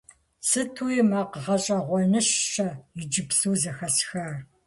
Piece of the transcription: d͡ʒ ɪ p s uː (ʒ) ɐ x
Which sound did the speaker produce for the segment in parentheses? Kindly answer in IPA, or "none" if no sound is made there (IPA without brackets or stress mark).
z